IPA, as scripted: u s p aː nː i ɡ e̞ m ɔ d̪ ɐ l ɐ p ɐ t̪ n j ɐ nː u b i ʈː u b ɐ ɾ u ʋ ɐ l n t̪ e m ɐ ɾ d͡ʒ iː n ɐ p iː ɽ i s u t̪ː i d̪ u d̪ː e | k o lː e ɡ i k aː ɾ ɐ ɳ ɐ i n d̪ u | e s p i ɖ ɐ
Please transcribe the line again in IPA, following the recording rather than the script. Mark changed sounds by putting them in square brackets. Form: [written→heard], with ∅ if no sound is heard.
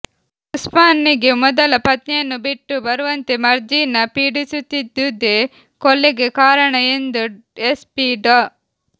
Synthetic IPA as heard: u s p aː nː i ɡ e̞ m ɔ d̪ ɐ l ɐ p ɐ t̪ n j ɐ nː u b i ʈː u b ɐ ɾ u ʋ ɐ [l→∅] n t̪ e m ɐ ɾ d͡ʒ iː n ɐ p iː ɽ i s u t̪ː i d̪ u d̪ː e | k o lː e ɡ [i→e] k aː ɾ ɐ ɳ ɐ [i→e] n d̪ u | e s p i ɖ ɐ